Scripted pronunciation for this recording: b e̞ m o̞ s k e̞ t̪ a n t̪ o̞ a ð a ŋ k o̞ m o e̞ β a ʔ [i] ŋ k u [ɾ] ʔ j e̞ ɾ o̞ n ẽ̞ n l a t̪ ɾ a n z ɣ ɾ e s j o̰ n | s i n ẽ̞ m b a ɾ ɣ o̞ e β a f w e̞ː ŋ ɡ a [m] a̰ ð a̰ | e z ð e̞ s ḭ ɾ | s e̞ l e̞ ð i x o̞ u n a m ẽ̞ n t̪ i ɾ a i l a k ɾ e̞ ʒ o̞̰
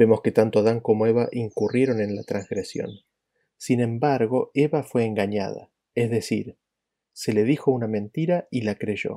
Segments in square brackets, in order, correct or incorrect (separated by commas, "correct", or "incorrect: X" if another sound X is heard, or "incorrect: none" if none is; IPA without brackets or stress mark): correct, incorrect: r, incorrect: ɲ